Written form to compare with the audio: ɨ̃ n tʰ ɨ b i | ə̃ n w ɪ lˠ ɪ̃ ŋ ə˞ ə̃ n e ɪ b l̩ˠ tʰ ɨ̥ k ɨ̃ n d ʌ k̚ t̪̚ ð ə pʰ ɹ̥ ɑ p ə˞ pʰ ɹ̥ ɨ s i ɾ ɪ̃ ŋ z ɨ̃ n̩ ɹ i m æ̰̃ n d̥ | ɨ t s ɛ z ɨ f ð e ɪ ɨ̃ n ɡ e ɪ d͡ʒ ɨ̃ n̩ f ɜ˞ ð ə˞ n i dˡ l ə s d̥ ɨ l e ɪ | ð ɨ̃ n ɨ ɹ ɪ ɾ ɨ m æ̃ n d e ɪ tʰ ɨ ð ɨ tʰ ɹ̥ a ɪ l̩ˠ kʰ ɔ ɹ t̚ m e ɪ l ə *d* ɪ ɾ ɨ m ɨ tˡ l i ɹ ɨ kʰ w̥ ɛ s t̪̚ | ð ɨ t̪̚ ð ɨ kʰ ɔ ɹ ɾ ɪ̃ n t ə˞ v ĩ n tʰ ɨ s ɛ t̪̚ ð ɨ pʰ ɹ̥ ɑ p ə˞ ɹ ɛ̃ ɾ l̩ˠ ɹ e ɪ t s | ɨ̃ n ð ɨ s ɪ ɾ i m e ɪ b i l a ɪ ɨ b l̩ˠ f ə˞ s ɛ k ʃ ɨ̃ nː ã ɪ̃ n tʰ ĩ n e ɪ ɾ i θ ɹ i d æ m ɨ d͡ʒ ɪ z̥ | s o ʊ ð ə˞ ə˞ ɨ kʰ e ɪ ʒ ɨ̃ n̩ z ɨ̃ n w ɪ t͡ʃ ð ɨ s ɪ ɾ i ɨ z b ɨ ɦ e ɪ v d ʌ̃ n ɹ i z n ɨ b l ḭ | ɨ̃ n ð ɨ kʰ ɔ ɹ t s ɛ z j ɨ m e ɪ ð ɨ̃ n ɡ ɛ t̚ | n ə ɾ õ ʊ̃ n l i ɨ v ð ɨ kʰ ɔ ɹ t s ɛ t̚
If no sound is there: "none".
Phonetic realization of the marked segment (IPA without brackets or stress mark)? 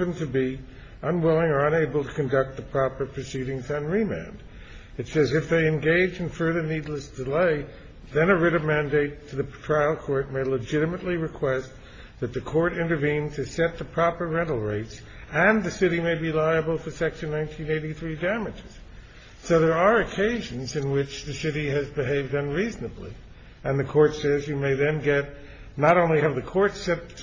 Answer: d͡ʒ